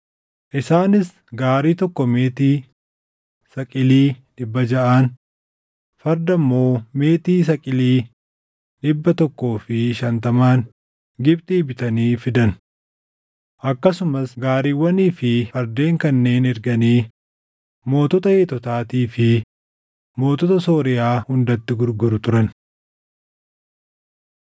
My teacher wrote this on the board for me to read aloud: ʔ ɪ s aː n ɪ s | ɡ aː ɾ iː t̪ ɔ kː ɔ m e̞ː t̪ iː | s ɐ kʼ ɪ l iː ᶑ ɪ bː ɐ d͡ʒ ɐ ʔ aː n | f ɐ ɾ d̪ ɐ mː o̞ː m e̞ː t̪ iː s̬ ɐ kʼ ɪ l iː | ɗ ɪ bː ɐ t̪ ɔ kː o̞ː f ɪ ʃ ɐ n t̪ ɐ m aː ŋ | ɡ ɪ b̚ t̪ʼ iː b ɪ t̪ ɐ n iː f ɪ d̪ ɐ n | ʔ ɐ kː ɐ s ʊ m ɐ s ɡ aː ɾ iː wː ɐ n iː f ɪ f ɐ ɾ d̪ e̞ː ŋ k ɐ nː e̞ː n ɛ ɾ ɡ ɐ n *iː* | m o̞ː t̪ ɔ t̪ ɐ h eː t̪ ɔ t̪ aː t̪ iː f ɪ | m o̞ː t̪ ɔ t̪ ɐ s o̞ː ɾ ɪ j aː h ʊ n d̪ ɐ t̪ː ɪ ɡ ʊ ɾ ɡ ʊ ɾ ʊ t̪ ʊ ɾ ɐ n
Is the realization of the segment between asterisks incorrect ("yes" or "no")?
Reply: no